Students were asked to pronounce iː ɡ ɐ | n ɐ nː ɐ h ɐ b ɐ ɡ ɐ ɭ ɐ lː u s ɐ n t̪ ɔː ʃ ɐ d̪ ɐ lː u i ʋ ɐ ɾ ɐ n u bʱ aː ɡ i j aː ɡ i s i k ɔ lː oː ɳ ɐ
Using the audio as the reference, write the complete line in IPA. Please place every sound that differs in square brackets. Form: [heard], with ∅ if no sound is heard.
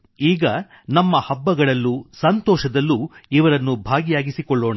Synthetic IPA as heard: iː ɡ ɐ | n ɐ [mː] ɐ h ɐ [bː] ɐ ɡ ɐ ɭ ɐ lː u s ɐ n t̪ ɔː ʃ ɐ d̪ ɐ lː u i ʋ ɐ ɾ ɐ [nː] u bʱ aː ɡ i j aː ɡ i s i k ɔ [ɭː] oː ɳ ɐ